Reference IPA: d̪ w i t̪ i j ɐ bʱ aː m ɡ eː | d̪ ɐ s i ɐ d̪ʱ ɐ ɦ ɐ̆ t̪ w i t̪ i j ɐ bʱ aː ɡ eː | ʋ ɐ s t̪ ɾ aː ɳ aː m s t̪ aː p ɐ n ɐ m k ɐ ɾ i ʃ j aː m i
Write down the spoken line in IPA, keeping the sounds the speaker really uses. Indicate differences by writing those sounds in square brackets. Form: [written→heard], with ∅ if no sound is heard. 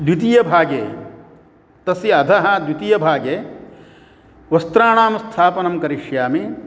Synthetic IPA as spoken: d̪ w i t̪ i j ɐ bʱ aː [m→∅] ɡ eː | [d̪→t̪] ɐ s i ɐ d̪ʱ ɐ ɦ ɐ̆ [t̪→d̪] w i t̪ i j ɐ bʱ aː ɡ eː | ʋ ɐ s t̪ ɾ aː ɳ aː m s [t̪→t̪ʰ] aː p ɐ n ɐ m k ɐ ɾ i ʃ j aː m i